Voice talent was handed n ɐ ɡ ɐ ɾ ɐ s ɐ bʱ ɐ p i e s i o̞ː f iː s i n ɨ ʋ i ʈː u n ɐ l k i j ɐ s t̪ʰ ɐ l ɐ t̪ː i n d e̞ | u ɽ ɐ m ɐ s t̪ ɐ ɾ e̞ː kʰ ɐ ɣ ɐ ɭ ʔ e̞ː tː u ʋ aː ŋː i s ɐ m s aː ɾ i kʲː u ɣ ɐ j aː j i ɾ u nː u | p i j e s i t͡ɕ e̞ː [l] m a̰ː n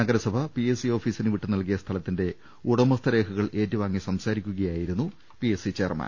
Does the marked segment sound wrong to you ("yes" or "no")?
yes